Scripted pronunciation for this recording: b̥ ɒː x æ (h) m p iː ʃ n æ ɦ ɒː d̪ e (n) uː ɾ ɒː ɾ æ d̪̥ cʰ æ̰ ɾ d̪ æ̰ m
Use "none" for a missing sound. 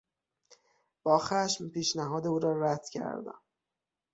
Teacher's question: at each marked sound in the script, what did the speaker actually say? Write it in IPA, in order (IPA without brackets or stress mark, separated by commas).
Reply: ʃ, none